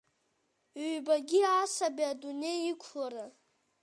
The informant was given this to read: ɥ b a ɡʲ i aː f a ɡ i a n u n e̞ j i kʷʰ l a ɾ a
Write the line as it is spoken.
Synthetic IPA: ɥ b a ɡʲ i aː s a b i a d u n e̞ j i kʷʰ l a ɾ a